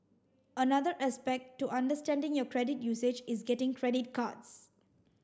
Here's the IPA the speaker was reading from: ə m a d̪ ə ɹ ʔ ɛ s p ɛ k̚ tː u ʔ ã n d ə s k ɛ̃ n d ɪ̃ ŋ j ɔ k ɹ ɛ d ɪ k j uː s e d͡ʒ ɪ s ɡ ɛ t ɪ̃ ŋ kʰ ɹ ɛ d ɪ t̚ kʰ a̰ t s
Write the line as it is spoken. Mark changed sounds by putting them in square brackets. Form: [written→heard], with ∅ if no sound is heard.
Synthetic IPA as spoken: ə [m→n] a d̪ ə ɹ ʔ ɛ s p ɛ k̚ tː u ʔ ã n d ə s [k→t] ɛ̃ n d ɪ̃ ŋ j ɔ k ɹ ɛ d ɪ [k→t] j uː s e d͡ʒ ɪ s ɡ ɛ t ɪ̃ ŋ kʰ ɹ ɛ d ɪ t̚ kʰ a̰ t s

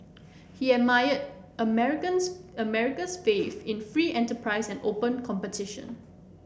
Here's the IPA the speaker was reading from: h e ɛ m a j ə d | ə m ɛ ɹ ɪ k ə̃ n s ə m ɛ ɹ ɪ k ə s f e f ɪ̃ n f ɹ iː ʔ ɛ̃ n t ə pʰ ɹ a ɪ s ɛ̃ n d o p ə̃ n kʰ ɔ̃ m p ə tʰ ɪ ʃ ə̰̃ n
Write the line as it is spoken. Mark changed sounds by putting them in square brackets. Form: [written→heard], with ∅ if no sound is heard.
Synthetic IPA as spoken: h [e→i] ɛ m a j ə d | ə m ɛ ɹ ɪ k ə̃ n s ə m ɛ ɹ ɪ k ə s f e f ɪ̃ n f ɹ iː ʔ ɛ̃ n t ə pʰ ɹ a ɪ s ɛ̃ n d o p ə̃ n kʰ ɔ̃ m p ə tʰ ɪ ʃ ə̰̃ n

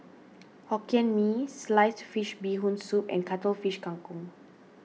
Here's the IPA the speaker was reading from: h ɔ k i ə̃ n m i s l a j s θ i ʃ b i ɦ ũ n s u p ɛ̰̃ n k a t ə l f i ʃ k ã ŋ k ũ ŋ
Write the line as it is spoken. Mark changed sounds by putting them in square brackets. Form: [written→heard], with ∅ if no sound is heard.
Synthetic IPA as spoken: h ɔ k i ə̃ n m i s l a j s [θ→f] i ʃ b i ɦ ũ n s u p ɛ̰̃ n k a t ə l f i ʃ k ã ŋ k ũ ŋ

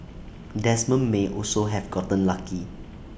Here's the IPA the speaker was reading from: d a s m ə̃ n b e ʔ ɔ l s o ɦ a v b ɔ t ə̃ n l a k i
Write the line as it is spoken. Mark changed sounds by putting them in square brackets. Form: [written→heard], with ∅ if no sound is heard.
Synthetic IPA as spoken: d [a→ɛ] s m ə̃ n [b→m] e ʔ ɔ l s o ɦ [a→ɛ] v [b→ɡ] ɔ t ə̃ n l a k i

